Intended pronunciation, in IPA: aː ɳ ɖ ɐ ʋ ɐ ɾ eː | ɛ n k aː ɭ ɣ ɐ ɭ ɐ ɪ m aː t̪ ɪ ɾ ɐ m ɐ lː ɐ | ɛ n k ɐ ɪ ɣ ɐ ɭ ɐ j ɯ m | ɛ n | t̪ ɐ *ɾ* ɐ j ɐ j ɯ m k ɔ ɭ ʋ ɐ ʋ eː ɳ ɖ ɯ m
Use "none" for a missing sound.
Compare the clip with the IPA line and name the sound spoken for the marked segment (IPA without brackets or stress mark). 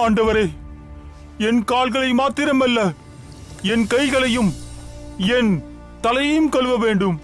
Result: l